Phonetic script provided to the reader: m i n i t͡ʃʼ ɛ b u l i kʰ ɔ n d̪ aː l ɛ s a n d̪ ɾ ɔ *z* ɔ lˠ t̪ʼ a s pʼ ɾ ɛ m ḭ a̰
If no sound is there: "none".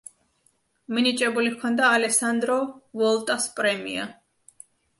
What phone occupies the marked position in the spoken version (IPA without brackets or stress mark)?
v